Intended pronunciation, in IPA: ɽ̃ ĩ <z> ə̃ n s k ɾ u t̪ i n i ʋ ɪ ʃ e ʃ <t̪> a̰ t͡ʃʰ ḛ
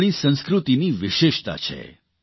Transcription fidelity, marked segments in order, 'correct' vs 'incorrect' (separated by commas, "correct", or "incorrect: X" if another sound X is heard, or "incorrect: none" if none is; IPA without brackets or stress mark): incorrect: s, correct